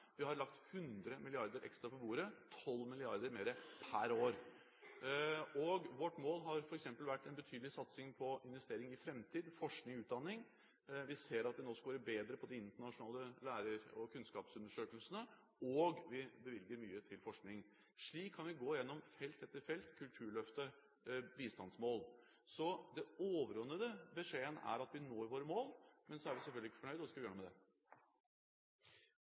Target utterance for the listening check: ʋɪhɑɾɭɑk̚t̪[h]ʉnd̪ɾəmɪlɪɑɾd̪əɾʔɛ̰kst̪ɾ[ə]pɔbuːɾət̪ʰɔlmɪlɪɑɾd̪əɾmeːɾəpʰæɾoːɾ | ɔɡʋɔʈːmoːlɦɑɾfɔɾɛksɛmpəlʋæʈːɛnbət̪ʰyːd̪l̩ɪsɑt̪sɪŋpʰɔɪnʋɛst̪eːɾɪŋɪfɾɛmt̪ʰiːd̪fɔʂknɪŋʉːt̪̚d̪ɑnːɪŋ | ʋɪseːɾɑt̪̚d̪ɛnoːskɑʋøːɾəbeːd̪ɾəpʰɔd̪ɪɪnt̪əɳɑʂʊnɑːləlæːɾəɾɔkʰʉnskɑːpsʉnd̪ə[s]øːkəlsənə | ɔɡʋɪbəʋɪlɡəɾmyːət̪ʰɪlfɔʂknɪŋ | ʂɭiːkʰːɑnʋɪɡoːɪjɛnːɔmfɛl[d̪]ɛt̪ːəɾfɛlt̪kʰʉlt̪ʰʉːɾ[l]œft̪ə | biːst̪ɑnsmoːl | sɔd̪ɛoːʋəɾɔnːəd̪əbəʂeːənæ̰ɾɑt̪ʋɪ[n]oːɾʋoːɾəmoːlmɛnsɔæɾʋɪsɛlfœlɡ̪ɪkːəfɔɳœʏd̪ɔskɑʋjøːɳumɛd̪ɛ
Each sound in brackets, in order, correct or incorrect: correct, incorrect, incorrect, incorrect, incorrect, correct

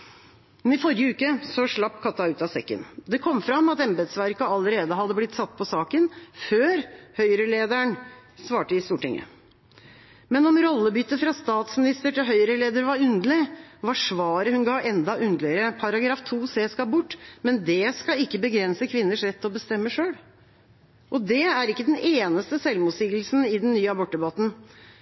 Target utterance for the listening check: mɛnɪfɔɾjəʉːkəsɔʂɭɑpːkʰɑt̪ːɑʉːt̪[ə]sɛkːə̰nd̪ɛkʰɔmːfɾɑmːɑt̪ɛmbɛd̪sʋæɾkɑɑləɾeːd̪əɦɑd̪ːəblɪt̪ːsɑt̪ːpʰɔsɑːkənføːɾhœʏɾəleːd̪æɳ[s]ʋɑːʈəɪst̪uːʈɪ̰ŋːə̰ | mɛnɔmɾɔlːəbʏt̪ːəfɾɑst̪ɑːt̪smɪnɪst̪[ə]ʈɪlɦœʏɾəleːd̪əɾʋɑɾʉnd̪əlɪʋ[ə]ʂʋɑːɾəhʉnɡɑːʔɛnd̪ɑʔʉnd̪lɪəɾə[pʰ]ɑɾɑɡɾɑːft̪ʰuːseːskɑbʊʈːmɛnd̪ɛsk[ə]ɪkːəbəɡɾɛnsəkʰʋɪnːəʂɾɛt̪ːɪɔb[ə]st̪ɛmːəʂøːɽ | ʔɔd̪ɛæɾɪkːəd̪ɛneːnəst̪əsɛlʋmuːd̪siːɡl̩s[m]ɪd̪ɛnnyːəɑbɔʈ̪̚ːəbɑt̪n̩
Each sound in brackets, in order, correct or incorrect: incorrect, correct, correct, incorrect, correct, incorrect, correct, incorrect

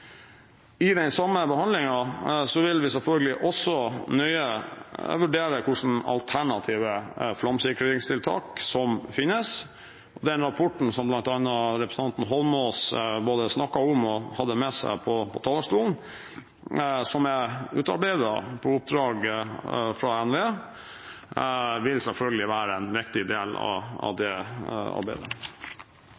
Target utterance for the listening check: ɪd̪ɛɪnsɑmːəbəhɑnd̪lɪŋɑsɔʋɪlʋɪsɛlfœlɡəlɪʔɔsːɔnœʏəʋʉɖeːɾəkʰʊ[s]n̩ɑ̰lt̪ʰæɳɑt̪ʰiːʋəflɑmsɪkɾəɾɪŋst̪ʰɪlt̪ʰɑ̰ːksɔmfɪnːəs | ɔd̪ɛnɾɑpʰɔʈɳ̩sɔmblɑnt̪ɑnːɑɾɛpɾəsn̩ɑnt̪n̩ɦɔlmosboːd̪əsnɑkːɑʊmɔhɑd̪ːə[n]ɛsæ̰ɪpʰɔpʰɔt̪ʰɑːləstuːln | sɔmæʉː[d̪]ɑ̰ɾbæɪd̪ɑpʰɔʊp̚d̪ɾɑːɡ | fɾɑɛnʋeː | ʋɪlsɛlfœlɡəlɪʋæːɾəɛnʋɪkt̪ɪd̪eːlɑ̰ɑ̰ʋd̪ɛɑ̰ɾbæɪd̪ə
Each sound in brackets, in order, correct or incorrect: incorrect, incorrect, incorrect

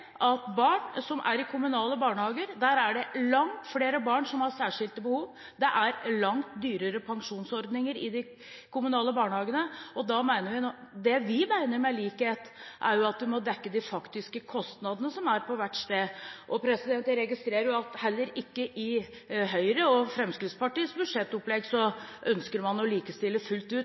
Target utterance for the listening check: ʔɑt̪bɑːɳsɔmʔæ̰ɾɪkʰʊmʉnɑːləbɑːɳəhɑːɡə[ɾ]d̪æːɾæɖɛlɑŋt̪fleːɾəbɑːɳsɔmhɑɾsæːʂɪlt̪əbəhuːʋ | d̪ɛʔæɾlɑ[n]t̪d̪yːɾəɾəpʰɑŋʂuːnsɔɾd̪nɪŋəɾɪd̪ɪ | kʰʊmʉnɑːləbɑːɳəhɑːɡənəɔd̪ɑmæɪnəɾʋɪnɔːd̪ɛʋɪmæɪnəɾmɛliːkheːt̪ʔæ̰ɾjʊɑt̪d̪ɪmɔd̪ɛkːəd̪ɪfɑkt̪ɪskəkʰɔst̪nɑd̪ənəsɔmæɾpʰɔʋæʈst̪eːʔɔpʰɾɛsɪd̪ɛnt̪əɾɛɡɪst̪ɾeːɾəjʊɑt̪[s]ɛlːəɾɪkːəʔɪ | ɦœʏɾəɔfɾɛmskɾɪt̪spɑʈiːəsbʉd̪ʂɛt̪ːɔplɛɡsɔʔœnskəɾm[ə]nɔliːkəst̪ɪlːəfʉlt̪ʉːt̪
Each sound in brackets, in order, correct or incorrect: correct, incorrect, incorrect, incorrect

